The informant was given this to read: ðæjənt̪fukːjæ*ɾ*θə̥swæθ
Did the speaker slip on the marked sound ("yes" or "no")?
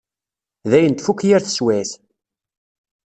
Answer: no